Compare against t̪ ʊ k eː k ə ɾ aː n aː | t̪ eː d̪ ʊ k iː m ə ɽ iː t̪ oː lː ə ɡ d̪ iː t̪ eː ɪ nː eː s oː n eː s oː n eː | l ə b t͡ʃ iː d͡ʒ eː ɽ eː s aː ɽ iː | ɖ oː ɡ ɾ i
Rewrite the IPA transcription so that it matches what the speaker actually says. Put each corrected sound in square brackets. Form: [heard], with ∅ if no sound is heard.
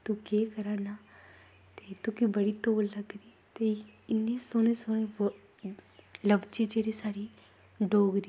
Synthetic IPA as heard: t̪ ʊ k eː k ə ɾ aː n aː | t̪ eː [t̪] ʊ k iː [b] ə ɽ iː t̪ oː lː ə ɡ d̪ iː t̪ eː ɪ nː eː s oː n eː s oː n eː | l ə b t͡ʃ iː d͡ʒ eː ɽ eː s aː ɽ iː | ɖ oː ɡ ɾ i